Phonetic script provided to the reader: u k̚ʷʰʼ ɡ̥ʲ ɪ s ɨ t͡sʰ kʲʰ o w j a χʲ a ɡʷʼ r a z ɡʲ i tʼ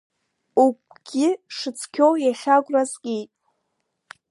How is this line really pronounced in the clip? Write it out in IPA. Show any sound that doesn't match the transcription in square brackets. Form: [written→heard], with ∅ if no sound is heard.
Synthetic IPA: u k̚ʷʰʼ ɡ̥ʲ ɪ [s→ʂ] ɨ t͡sʰ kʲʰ o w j a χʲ a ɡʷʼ r a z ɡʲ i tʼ